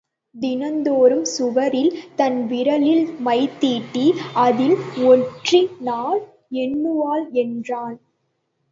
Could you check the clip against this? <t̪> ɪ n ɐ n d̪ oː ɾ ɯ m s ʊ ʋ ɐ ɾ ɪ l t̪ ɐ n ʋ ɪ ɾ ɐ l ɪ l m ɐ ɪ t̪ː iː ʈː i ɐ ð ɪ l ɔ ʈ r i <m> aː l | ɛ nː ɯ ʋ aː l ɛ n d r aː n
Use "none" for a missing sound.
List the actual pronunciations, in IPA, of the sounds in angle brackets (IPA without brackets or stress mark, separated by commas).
d̪, n